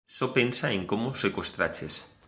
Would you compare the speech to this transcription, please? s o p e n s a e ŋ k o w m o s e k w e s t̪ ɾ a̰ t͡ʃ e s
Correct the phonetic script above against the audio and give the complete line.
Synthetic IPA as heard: s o p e n s a e ŋ k o m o s e k w e s t̪ ɾ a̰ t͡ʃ e s